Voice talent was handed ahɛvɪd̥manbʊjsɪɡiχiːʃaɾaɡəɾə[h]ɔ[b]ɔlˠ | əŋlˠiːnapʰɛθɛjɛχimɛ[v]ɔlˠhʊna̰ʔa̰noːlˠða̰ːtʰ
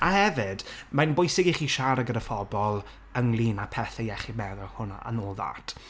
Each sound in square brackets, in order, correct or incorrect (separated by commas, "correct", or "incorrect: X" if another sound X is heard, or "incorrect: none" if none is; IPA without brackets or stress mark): incorrect: f, correct, incorrect: ð